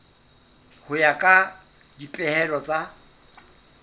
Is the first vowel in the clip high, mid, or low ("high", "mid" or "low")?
high